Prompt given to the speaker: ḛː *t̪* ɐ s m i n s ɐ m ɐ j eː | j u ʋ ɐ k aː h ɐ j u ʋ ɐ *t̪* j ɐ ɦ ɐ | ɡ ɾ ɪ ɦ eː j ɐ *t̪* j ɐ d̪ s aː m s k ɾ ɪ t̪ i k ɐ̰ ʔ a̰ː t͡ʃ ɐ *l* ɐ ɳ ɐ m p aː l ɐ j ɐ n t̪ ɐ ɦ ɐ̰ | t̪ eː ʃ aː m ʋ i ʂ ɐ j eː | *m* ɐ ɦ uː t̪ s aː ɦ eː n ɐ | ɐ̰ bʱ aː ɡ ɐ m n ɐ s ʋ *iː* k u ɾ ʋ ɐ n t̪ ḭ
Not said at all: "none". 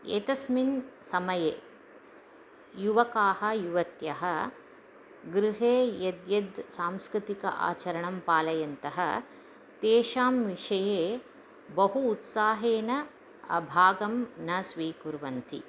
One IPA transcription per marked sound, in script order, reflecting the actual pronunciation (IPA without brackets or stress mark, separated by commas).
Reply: t̪, t̪, d̪, ɾ, b, iː